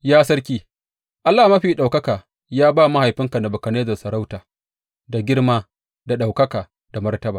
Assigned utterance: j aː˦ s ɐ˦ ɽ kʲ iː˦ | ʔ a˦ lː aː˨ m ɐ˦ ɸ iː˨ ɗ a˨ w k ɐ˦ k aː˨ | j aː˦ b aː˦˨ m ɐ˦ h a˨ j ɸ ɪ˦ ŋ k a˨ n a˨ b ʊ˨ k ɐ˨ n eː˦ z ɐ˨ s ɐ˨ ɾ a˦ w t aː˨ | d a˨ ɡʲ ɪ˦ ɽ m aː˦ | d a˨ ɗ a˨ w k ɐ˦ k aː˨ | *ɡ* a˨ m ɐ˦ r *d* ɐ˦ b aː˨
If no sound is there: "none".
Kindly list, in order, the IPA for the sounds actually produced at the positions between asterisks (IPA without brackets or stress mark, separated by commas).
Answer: d, t